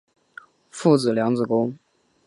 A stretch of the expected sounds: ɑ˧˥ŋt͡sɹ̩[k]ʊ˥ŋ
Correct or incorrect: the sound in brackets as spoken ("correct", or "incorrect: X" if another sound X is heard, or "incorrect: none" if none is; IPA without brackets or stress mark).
correct